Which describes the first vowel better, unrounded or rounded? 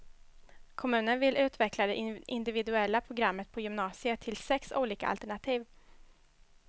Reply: rounded